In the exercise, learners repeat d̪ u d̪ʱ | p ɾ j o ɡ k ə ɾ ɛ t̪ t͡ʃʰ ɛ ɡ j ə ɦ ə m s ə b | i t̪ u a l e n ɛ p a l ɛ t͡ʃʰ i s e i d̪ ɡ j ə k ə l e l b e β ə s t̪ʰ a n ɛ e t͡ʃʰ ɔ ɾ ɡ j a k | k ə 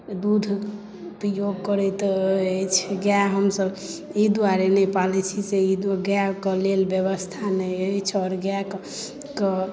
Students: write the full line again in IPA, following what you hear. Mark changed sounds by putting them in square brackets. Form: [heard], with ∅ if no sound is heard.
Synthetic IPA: d̪ u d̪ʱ | p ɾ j o ɡ k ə ɾ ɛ t̪ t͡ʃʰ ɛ ɡ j [a] ɦ ə m s ə b | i [d̪] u a [ɾ] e n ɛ p a l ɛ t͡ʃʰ i s e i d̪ ɡ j [a] k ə l e l b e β ə s t̪ʰ a n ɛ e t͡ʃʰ ɔ ɾ ɡ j a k | k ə